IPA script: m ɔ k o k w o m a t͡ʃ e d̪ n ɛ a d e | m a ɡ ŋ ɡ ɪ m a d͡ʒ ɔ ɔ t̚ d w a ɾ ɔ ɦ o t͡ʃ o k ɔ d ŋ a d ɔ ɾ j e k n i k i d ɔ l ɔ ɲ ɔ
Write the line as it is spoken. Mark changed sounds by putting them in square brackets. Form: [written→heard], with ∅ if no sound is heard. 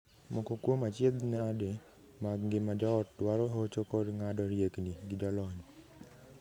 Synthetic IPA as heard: m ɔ k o k w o m a t͡ʃ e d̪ n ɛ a d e | m a ɡ ŋ ɡ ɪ m a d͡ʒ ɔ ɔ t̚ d w a ɾ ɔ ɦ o t͡ʃ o k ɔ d ŋ a d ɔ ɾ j e k n i [k→ɡ] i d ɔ l ɔ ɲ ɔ